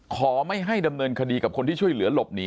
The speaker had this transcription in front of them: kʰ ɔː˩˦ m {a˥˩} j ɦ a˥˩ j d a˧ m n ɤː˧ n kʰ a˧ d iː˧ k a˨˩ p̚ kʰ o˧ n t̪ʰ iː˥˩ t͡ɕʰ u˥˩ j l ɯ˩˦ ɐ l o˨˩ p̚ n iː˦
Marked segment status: correct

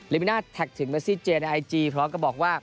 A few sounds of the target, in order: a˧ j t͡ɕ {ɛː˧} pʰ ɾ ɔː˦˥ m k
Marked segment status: incorrect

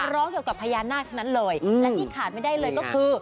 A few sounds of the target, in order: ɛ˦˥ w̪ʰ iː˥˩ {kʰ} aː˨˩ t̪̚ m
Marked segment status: correct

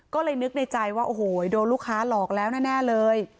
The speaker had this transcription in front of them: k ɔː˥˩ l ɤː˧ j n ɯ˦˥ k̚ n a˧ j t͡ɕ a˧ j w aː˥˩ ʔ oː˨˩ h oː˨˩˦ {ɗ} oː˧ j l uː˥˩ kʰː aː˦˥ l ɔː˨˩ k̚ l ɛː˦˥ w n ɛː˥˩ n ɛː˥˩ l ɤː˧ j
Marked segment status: incorrect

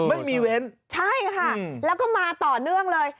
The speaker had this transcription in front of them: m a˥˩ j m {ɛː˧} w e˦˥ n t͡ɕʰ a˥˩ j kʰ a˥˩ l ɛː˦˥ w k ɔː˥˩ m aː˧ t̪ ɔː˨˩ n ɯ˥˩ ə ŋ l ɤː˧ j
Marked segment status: incorrect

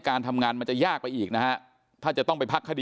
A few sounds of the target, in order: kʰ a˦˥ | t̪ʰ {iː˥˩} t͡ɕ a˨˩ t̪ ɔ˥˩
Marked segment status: incorrect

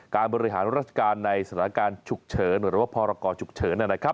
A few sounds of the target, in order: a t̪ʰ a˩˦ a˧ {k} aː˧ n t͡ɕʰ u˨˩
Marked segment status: correct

